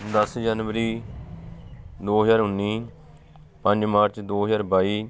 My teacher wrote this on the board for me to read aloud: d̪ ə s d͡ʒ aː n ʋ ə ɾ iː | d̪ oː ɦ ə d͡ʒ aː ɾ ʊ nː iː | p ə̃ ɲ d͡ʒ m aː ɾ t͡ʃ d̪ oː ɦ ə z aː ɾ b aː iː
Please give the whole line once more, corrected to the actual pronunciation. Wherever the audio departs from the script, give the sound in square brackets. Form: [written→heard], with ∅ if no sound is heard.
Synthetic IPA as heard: d̪ ə s d͡ʒ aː n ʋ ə ɾ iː | d̪ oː ɦ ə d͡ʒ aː ɾ ʊ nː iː | p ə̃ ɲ d͡ʒ m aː ɾ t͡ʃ d̪ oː ɦ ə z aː ɾ b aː iː